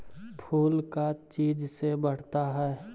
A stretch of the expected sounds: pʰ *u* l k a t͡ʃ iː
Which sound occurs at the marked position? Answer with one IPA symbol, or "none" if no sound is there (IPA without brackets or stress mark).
uː